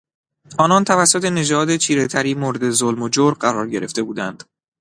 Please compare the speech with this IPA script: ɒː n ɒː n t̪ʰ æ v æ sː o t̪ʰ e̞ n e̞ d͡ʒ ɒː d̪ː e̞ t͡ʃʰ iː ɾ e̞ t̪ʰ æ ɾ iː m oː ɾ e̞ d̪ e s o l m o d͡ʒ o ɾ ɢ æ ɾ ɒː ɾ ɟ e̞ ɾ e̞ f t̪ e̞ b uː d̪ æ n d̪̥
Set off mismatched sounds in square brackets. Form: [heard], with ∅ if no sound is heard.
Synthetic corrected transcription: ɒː n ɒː n t̪ʰ æ v æ sː o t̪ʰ e̞ n e̞ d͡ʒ ɒː [d̪] e̞ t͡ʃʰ iː ɾ e̞ t̪ʰ æ ɾ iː m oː ɾ e̞ d̪ e [z] o l m o d͡ʒ o ɾ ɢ æ ɾ ɒː ɾ ɟ e̞ ɾ e̞ f t̪ e̞ b uː d̪ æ n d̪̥

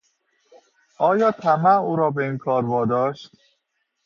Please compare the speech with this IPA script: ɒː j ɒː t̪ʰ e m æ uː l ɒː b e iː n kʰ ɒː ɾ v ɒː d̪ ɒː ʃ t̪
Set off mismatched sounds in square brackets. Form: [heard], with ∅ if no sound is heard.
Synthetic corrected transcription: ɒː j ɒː t̪ʰ [æ] m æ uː [ɾ] ɒː b e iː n kʰ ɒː ɾ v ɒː d̪ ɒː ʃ t̪

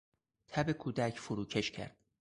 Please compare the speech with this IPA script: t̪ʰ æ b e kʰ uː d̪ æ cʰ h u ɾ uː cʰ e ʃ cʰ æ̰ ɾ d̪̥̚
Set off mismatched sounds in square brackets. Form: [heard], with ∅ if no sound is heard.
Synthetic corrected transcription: t̪ʰ æ b e kʰ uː d̪ æ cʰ [f] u ɾ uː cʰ e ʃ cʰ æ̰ ɾ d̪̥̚

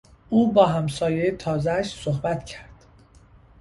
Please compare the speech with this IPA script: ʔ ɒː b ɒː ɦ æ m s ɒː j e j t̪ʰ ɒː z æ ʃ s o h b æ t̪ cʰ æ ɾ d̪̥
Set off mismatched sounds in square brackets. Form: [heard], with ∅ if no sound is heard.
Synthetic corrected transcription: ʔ [uː] b ɒː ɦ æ m s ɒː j e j t̪ʰ ɒː z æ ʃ s o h b æ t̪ cʰ æ ɾ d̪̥

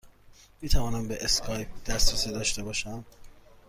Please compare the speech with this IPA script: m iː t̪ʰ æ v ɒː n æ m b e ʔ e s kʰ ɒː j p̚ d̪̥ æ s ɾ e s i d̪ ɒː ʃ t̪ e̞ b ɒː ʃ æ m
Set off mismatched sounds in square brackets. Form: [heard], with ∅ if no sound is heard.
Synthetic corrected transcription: m iː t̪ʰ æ v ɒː n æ m b e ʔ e s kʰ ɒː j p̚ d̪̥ æ s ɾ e s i d̪ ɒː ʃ t̪ e̞ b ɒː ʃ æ m

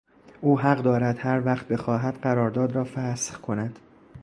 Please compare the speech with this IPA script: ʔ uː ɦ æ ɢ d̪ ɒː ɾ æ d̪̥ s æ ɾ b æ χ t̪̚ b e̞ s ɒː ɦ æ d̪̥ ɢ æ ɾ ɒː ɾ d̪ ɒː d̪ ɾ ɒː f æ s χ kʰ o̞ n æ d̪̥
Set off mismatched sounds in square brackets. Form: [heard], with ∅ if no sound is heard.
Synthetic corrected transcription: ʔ uː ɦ æ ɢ d̪ ɒː ɾ æ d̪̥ [h] æ ɾ [v] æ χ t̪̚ b e̞ [x] ɒː ɦ æ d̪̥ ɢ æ ɾ ɒː ɾ d̪ ɒː d̪ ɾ ɒː f æ s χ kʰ o̞ n æ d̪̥

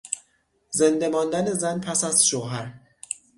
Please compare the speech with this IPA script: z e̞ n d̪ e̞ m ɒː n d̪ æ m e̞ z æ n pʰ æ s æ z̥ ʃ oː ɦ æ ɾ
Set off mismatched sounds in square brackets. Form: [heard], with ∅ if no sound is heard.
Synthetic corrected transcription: z e̞ n d̪ e̞ m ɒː n d̪ æ [n] e̞ z æ n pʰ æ s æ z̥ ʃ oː ɦ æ ɾ

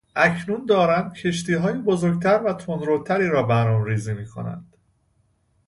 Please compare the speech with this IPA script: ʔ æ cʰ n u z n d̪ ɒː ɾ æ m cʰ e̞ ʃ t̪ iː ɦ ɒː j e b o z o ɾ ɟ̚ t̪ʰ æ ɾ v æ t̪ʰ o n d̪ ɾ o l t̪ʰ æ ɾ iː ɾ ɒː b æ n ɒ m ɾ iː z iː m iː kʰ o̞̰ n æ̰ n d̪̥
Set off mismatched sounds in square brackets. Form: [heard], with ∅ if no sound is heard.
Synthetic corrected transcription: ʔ æ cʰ n u [∅] n d̪ ɒː ɾ æ m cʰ e̞ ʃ t̪ iː ɦ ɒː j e b o z o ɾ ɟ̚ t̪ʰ æ ɾ v æ t̪ʰ o n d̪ ɾ o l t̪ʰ æ ɾ iː ɾ ɒː b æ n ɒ m ɾ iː z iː m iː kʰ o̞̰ n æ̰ n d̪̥

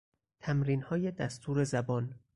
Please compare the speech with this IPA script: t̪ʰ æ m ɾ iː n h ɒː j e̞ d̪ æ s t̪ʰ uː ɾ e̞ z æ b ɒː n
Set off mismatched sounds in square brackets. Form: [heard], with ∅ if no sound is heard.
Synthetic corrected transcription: t̪ʰ æ m ɾ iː n h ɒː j e̞ d̪ æ s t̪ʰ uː ɾ e̞ z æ b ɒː n

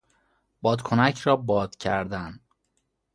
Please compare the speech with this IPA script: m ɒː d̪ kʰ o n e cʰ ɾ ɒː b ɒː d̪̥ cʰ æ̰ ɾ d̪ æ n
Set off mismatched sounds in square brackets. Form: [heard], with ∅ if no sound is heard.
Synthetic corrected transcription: [b] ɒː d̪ kʰ o n [æ] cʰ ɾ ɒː b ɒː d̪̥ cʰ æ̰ ɾ d̪ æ n

